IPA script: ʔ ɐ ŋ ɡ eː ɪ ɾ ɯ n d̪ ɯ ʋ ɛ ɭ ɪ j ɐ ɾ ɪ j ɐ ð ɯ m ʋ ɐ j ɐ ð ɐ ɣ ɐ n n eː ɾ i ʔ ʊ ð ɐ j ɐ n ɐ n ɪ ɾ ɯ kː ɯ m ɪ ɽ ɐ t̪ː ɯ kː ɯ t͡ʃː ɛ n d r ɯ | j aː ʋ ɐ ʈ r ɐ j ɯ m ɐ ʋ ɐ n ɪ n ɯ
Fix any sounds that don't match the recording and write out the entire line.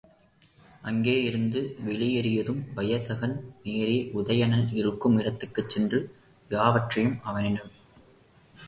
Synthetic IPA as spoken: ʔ ɐ ŋ ɡ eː ɪ ɾ ɯ n d̪ ɯ ʋ ɛ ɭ ɪ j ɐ ɾ ɪ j ɐ ð ɯ m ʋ ɐ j ɐ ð ɐ ɣ ɐ n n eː ɾ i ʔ ʊ ð ɐ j ɐ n ɐ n ɪ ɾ ɯ kː ɯ m ɪ ɽ ɐ t̪ː ɯ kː ɯ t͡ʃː ɛ n d r ɯ | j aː ʋ ɐ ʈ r ɐ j ɯ m ɐ ʋ ɐ n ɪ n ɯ